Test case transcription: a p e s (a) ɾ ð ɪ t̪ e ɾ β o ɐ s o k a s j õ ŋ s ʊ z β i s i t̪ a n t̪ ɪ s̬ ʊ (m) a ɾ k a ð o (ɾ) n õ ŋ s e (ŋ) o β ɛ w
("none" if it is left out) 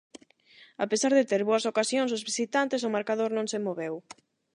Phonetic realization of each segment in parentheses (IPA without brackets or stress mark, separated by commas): a, m, ɾ, m